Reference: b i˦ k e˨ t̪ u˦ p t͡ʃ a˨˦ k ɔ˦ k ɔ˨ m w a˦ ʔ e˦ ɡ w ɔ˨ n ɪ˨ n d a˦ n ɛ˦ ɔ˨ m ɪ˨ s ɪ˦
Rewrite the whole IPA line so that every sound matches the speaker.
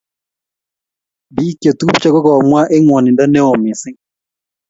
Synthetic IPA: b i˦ k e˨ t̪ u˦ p t͡ʃ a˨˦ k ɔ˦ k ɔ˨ m w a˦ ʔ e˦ ŋ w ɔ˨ n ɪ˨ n d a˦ n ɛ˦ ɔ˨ m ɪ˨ s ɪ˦